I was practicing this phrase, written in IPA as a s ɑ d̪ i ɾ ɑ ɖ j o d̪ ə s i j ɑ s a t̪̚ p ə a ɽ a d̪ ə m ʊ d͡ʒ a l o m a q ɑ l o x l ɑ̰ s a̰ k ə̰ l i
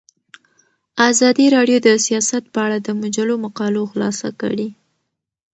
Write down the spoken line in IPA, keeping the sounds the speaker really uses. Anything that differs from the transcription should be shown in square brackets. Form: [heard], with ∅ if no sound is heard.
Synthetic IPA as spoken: a [z] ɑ d̪ i ɾ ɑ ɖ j o d̪ ə s i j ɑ s a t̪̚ p ə a ɽ a d̪ ə m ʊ d͡ʒ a l o m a q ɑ l o x l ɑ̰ s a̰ k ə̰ [ɽ] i

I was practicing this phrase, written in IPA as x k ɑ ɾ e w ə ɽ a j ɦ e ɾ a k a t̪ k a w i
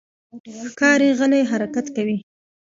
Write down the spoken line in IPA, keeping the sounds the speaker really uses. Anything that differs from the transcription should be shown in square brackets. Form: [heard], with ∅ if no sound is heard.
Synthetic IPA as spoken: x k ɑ ɾ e [ɣ] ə [l] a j ɦ [a] ɾ a k a t̪ k a w i

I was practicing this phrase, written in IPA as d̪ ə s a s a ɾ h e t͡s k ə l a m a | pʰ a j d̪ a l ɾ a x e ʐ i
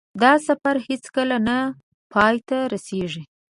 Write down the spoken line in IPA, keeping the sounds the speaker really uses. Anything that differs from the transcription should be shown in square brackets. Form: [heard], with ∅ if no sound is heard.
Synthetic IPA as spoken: d̪ [ɑ] s a [f] a ɾ h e t͡s k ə l a [n] a | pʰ [ɑ] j [t̪] a [∅] ɾ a [s] e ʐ i

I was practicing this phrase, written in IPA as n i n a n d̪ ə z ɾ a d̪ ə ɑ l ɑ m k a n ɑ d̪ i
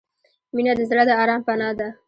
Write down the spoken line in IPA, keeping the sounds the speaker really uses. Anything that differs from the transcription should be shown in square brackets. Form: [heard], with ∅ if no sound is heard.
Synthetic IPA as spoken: [m] i n a [∅] d̪ ə z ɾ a d̪ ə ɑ [ɾ] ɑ m [p] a n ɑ d̪ [a]

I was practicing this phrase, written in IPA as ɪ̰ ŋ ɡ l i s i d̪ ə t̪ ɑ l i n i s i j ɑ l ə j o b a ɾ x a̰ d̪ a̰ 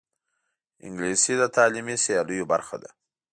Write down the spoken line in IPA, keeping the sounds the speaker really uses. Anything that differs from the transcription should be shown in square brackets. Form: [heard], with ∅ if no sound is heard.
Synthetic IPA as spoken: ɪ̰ ŋ ɡ l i s i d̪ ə t̪ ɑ l i [m] i s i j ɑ l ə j o b a ɾ x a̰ d̪ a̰

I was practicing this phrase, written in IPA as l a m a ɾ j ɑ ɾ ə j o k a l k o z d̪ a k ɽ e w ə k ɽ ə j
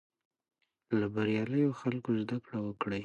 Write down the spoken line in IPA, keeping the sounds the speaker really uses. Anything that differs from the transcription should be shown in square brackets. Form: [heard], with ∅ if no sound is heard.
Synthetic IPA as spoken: l a [b] a ɾ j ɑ [l] ə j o [x] a l k o z d̪ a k ɽ [a] w ə k ɽ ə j

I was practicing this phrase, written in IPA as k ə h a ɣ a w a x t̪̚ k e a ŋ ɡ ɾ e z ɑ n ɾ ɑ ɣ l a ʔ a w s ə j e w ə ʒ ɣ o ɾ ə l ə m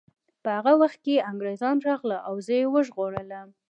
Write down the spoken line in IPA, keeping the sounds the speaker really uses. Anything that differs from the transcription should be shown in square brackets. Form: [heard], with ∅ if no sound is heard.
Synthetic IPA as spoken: [p] ə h a ɣ a w a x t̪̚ k e a ŋ ɡ ɾ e z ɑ n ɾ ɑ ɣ l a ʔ a w [z] ə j e w ə ʒ ɣ o [ɽ] ə l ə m

